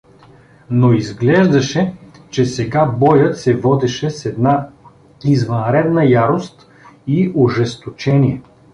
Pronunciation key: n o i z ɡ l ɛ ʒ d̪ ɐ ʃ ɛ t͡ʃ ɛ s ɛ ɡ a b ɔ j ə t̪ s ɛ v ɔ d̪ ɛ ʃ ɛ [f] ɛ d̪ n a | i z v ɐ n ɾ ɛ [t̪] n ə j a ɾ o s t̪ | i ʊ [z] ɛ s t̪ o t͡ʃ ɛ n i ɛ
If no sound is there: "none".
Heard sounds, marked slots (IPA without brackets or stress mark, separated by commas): s, d̪, ʒ